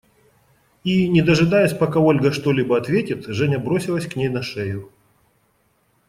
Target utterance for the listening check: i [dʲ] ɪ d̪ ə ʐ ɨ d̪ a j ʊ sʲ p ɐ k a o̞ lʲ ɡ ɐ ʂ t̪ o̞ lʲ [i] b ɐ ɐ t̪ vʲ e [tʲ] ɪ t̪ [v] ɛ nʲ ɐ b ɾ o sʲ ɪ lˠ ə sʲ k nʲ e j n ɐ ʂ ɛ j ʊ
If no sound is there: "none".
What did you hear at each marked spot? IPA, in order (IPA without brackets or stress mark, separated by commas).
nʲ, i, tʲ, ʐ